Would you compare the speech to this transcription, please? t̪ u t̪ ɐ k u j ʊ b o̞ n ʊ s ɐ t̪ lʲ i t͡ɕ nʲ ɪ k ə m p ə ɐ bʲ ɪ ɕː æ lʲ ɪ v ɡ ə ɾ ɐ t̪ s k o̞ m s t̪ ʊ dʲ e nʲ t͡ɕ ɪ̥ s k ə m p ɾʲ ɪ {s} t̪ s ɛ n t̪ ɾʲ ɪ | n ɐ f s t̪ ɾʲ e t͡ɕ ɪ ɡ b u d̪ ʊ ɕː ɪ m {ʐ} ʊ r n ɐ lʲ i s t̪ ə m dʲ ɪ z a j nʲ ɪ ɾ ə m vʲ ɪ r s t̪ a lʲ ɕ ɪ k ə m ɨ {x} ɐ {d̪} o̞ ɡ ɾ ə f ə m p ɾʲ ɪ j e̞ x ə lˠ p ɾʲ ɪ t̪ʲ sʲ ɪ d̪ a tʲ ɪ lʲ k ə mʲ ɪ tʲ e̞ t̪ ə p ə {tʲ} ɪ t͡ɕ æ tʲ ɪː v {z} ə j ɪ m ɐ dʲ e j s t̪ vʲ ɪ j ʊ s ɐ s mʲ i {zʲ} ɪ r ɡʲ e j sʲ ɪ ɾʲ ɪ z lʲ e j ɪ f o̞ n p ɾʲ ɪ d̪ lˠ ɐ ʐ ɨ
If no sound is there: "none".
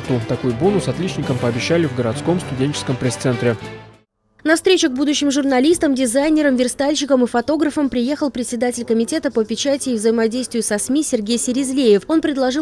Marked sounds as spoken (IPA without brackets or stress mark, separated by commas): s, ʐ, f, t̪, pʲ, z, sʲ